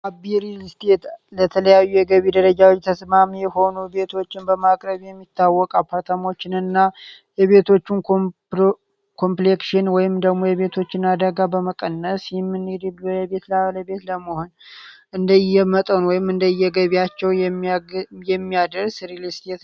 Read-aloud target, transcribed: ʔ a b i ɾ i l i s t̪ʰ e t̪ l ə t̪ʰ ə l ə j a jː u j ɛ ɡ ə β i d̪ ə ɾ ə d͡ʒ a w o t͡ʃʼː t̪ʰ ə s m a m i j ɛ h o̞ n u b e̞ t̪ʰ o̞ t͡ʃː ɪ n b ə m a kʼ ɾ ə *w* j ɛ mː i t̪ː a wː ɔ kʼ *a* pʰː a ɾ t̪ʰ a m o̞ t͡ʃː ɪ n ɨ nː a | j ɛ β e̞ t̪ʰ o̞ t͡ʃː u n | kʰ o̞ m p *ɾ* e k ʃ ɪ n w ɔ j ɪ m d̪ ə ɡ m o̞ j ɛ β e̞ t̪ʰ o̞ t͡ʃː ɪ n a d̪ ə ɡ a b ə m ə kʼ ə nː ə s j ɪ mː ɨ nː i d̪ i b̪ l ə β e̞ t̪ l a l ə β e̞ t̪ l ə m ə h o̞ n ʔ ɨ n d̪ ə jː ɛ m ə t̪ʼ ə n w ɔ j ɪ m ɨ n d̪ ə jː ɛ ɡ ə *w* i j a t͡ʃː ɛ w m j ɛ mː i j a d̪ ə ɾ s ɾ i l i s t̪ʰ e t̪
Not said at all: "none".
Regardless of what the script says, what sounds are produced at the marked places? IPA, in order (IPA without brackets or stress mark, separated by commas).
β, a, l, β